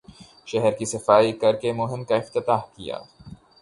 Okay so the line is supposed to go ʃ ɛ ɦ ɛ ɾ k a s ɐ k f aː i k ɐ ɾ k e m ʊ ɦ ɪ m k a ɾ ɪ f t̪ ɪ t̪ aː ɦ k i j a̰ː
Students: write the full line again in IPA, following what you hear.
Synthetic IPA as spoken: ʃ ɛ ɦ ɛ ɾ k i s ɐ f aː i k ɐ ɾ k e m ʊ ɦ ɪ m k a ɪ f t̪ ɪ t̪ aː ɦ k i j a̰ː